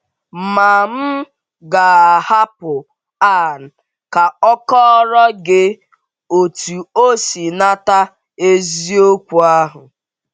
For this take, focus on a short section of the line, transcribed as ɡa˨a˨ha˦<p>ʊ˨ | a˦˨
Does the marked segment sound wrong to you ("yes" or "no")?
no